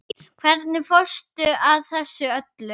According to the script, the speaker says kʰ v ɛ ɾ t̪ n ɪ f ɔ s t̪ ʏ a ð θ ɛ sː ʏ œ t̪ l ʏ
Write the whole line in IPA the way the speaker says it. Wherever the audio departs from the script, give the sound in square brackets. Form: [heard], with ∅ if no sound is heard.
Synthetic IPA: kʰ v ɛ ɾ t̪ n ɪ f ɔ s t̪ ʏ a ð θ ɛ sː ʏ œ t̪ l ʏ